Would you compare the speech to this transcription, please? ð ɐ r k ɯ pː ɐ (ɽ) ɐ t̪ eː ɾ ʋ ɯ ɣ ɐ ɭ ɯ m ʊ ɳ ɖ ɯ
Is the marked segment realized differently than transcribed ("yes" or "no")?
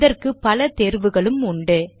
yes